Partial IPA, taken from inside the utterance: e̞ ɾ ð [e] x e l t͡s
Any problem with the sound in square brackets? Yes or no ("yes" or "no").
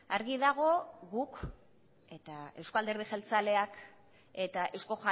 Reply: yes